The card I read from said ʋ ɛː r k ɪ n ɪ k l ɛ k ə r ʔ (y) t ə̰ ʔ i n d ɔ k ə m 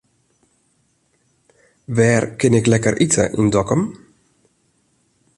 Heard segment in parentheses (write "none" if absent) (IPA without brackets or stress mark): i